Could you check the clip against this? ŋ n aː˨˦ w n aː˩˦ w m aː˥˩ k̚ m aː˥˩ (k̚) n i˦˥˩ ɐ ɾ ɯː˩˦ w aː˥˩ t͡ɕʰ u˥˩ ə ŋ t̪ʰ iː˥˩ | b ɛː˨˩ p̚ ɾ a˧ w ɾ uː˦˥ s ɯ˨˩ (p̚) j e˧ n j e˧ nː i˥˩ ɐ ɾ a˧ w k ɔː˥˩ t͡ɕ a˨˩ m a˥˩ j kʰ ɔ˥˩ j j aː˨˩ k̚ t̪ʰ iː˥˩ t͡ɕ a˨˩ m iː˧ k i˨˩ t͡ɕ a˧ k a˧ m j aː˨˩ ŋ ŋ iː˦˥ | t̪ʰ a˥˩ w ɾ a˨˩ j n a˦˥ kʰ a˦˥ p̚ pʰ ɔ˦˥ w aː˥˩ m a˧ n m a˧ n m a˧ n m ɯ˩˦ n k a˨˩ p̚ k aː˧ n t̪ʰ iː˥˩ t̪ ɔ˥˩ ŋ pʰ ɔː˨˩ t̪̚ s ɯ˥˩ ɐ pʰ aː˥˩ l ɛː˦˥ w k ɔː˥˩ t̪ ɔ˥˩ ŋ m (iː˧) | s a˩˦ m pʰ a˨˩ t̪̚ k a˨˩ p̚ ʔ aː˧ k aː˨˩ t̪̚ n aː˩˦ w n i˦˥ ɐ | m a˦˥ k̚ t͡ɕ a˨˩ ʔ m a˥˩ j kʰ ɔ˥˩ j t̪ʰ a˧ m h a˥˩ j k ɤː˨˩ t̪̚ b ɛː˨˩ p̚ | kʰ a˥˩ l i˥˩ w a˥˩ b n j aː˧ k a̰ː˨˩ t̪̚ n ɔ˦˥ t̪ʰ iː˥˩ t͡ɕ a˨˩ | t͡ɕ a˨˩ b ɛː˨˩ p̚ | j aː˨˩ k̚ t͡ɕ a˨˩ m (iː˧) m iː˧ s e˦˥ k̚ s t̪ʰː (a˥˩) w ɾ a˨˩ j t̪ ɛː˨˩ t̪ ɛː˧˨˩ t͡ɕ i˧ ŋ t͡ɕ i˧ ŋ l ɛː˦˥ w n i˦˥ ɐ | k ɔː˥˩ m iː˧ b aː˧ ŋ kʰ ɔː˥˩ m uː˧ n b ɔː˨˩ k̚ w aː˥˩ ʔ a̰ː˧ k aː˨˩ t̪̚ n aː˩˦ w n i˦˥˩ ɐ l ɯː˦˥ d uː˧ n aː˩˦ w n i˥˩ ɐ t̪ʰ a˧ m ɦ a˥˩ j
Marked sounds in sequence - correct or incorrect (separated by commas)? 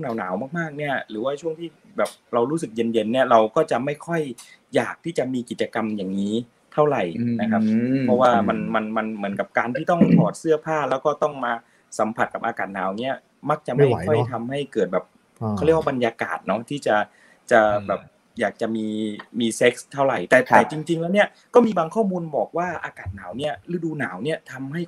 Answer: correct, incorrect, incorrect, correct, correct